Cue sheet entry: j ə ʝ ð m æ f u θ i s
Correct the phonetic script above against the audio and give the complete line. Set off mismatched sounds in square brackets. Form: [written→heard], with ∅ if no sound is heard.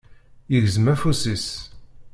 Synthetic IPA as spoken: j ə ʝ [ð→z] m æ f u [θ→s] i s